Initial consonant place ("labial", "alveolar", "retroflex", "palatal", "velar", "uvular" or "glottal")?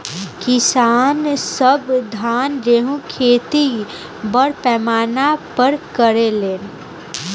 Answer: velar